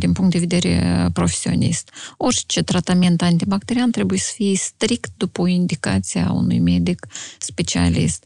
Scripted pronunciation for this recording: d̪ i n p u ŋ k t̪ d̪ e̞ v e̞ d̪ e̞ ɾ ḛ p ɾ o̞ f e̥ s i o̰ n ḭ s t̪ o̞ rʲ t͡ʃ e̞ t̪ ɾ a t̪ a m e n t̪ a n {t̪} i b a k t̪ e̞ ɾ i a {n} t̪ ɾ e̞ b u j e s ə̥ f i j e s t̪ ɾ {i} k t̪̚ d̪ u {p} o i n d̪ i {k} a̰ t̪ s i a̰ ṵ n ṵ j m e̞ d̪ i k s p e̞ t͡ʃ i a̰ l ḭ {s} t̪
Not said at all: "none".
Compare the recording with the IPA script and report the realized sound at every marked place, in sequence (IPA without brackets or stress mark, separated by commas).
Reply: t̪, n, i, p, k, s